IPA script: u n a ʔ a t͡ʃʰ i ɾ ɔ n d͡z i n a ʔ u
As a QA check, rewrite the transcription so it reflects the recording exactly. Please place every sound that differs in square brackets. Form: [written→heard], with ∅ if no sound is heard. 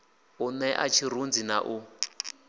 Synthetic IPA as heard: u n [a→ɛ] ʔ a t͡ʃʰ i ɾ [ɔ→u] n d͡z i n a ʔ u

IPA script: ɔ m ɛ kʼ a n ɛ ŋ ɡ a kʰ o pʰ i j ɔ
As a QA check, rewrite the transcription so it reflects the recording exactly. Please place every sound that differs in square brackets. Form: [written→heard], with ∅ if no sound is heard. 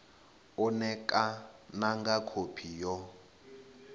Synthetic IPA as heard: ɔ [m→n] ɛ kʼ a n [ɛ→a] ŋ ɡ a kʰ o pʰ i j ɔ

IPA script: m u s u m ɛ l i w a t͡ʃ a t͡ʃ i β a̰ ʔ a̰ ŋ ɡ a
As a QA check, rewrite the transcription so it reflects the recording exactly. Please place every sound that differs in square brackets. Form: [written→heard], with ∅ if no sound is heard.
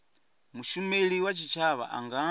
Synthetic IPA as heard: m u [s→ʃ] u m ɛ l i w a t͡ʃ [a→i] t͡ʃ [i→a] β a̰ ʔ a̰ ŋ ɡ a

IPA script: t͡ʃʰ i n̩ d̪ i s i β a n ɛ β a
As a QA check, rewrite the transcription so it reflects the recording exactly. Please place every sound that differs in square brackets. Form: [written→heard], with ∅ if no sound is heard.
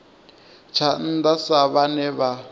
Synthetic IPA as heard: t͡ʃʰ [i→a] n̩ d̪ [i→a] s [i→a] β a n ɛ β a

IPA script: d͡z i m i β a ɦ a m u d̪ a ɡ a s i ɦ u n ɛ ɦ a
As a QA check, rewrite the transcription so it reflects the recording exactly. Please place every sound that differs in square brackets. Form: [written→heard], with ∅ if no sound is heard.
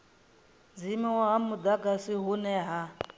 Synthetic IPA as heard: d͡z i m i [β→w] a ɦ a m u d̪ a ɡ a s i ɦ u n ɛ ɦ a

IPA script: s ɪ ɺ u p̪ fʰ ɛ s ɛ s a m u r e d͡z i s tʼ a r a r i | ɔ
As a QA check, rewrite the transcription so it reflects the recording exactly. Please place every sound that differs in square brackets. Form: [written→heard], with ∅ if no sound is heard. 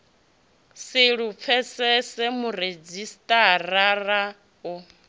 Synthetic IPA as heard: s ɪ ɺ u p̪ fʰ ɛ s ɛ s [a→ɛ] m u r e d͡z i s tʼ a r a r [i→a] | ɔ

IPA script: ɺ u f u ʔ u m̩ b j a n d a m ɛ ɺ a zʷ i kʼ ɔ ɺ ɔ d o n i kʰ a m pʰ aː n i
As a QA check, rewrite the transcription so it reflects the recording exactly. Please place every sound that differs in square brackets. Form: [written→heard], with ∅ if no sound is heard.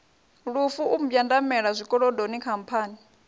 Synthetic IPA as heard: ɺ u f u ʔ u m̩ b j a n d a m ɛ ɺ a zʷ i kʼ ɔ ɺ ɔ d o n i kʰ a m pʰ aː n i

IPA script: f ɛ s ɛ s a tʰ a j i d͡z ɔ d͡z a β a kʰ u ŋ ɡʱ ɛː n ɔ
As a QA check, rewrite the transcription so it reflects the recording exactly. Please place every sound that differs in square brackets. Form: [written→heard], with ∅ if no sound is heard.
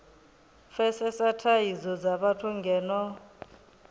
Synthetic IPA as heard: f ɛ s ɛ s a tʰ a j i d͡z ɔ d͡z a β a [kʰ→tʰ] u ŋ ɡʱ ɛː n ɔ

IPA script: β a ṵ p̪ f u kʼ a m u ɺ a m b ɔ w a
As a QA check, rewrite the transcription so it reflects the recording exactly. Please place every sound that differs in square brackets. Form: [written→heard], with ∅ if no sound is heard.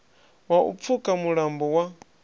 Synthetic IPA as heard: [β→w] a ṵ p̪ f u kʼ a m u ɺ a m b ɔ w a

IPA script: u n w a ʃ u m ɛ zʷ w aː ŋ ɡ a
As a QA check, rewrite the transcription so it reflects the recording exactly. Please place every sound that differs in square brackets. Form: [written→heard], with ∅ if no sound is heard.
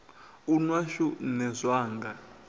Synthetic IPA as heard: u n w a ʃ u [m→n] ɛ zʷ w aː ŋ ɡ a

